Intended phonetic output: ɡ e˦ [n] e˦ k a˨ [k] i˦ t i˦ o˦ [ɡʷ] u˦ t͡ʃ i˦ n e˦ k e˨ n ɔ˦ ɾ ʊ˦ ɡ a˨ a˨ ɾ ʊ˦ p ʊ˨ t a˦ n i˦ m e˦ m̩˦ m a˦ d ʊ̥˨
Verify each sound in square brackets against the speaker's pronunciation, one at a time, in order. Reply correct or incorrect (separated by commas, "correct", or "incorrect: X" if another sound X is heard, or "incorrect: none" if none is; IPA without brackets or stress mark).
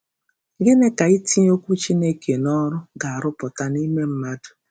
correct, incorrect: none, incorrect: kʷ